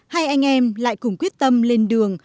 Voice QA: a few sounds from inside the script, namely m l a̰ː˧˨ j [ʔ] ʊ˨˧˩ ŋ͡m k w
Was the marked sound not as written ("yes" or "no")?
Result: yes